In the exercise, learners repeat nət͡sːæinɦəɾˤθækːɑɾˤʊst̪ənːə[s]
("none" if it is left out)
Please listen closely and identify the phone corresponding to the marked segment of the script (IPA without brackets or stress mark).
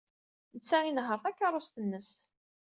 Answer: s